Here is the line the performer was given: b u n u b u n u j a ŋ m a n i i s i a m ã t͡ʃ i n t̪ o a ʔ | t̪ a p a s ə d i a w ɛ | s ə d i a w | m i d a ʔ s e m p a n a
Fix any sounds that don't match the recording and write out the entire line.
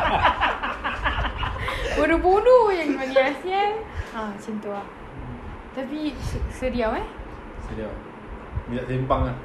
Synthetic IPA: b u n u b u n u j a ŋ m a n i a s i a n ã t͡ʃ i n t̪ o a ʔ | t̪ a p i s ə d i a w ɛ | s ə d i a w | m i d a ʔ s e m p a ŋ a